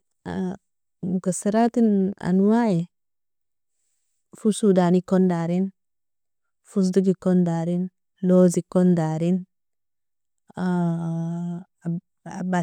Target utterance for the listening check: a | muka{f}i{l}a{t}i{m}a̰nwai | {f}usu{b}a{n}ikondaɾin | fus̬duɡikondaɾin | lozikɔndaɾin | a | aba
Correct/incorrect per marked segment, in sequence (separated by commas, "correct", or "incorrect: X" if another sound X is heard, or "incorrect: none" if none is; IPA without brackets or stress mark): incorrect: s, incorrect: ɾ, correct, incorrect: n, correct, incorrect: d, correct